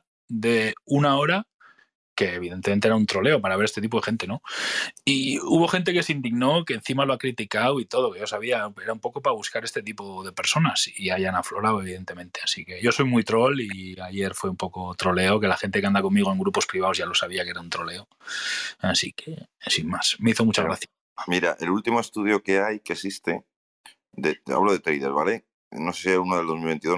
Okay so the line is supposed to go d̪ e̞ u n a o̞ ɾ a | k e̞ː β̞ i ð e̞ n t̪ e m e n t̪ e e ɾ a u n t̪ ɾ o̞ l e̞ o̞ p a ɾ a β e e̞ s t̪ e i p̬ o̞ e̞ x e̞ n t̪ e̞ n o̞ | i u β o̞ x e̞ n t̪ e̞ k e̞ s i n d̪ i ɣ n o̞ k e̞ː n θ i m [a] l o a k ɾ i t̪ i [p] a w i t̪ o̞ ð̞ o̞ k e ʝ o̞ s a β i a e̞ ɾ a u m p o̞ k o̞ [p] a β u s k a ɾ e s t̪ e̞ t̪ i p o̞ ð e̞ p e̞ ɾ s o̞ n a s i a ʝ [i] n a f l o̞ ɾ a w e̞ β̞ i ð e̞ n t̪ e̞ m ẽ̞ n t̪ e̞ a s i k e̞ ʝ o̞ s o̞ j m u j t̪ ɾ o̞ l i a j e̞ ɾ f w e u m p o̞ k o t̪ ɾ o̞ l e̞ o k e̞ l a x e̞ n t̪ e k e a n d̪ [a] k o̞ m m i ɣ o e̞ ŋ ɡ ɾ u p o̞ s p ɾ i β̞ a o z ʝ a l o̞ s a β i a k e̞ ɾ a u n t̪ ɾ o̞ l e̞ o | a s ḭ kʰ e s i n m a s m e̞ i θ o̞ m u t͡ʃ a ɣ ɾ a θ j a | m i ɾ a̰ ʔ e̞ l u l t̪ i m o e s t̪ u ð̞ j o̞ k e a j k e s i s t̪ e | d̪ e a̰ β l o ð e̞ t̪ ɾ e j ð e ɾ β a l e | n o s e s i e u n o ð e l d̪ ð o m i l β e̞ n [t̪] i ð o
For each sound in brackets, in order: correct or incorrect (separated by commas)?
correct, incorrect, correct, incorrect, correct, correct